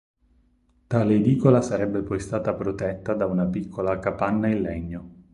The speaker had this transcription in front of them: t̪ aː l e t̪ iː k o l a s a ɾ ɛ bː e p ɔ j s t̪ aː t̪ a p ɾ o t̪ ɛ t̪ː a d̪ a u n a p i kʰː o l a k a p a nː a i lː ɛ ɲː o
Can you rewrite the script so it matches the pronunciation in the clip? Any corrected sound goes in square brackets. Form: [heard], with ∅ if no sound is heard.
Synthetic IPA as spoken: t̪ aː l e [d̪] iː k o l a s a ɾ ɛ bː e p ɔ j s t̪ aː t̪ a p ɾ o t̪ ɛ t̪ː a d̪ a u n a p i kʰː o l a k a p a nː a i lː ɛ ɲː o